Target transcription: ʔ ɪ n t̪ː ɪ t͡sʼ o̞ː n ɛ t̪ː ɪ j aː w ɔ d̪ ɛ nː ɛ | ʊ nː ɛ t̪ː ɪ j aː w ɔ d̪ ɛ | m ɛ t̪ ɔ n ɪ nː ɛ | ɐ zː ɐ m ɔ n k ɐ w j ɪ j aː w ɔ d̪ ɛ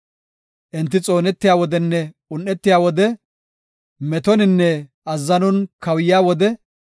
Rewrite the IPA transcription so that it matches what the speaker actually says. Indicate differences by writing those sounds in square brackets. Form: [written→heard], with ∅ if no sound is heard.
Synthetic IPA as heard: ʔ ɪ n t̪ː ɪ t͡sʼ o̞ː n ɛ t̪ː ɪ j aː w ɔ d̪ ɛ nː ɛ | ʊ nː ɛ t̪ː ɪ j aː w ɔ d̪ ɛ | m ɛ t̪ ɔ n ɪ nː ɛ | ɐ zː ɐ [m→n] ɔ n k ɐ w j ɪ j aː w ɔ d̪ ɛ